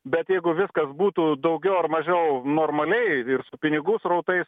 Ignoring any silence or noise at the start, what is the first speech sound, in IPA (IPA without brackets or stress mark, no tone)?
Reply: bʲ